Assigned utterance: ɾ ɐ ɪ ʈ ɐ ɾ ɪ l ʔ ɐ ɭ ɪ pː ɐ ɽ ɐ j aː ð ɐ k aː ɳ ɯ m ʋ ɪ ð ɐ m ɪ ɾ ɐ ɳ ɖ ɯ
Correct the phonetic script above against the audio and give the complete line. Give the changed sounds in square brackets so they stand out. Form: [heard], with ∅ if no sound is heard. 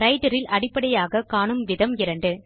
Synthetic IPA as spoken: ɾ ɐ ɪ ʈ ɐ ɾ ɪ l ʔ ɐ [ɽ] ɪ pː ɐ ɽ ɐ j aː [ɣ] ɐ k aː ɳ ɯ m ʋ ɪ ð ɐ m ɪ ɾ ɐ ɳ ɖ ɯ